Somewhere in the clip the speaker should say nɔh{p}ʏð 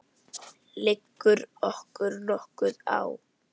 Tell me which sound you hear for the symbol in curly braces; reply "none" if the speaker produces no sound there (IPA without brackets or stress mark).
k